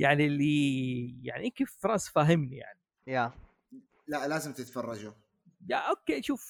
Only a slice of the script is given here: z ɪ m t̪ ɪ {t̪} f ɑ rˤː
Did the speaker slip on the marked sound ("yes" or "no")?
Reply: no